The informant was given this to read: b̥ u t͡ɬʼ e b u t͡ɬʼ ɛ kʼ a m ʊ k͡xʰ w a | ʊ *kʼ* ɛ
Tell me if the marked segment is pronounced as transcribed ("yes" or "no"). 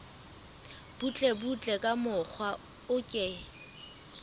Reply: yes